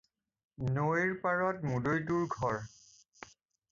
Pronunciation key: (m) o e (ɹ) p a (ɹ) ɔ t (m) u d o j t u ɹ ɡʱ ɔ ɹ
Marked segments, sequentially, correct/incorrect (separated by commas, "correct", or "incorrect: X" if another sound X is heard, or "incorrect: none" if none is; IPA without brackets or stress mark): incorrect: n, correct, correct, correct